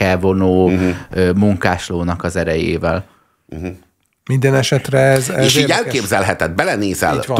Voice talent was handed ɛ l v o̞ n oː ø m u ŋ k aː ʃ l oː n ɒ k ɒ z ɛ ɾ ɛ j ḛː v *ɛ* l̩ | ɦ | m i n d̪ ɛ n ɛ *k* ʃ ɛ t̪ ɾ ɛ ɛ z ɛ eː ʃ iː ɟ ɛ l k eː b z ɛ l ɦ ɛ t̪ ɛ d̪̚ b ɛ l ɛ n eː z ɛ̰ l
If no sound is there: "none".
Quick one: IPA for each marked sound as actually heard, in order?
ɛ, none

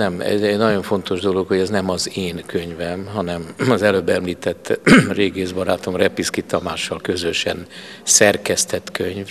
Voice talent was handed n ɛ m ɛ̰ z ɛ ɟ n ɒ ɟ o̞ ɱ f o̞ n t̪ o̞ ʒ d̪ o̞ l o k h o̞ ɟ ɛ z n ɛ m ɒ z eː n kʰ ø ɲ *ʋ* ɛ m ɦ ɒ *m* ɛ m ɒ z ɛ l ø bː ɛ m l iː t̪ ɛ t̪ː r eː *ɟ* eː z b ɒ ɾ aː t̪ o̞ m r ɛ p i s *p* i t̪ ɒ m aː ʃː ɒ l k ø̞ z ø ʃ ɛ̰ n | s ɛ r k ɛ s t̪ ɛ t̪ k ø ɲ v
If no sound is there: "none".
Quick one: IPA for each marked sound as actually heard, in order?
v, n, ɡ, k

